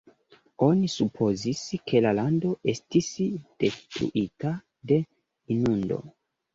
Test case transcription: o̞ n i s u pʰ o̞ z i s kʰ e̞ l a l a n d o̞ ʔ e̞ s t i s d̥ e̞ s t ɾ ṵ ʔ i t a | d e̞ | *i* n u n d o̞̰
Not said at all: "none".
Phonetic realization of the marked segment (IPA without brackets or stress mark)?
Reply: i